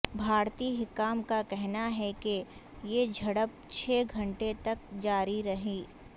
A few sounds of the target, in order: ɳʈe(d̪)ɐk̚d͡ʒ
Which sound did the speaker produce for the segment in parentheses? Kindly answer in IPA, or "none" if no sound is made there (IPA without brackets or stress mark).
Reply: t̪